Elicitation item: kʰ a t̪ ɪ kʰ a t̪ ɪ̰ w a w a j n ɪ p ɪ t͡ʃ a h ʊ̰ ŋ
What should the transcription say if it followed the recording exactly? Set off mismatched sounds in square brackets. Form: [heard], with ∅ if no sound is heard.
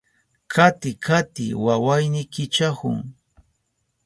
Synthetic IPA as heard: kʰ a t̪ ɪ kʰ a t̪ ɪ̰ w a w a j n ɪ [k] ɪ t͡ʃ a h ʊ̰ ŋ